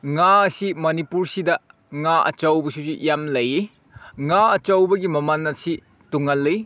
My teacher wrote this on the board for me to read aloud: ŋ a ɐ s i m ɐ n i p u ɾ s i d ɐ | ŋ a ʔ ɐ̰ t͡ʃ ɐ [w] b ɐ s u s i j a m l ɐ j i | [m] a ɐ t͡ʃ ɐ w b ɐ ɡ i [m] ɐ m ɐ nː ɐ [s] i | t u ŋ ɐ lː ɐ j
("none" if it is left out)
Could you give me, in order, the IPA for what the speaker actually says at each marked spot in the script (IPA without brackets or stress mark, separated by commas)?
w, ŋ, m, s